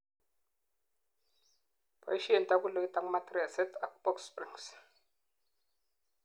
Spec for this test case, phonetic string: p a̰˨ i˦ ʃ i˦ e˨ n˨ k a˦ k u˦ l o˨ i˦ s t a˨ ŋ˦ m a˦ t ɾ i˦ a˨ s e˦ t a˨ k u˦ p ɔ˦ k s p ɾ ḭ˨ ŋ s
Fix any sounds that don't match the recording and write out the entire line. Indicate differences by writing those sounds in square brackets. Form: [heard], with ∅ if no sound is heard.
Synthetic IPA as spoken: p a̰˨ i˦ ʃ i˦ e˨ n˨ [t] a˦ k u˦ l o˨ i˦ [∅] t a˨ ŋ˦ m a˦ t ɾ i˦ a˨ s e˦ t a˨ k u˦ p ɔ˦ k s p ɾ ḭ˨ ŋ s